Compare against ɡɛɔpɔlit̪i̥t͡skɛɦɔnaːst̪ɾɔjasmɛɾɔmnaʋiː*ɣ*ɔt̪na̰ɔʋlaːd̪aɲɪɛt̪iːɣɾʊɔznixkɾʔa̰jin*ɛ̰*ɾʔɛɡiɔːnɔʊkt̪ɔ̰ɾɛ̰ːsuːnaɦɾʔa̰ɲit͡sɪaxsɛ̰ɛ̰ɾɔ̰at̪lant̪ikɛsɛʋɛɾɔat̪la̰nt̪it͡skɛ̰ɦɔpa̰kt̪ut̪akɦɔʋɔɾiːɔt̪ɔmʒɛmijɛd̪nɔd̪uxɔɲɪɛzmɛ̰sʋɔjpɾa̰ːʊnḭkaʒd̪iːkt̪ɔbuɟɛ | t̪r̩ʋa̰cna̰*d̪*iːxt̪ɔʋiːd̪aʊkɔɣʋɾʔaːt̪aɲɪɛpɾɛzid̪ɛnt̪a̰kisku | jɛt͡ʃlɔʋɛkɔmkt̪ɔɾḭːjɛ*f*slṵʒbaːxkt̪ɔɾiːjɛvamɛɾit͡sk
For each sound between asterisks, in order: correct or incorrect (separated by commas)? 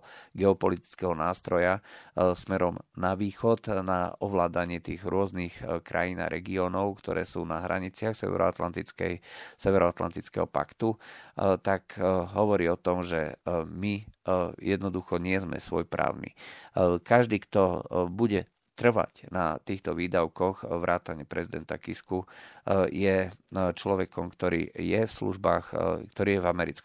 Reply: incorrect, incorrect, incorrect, correct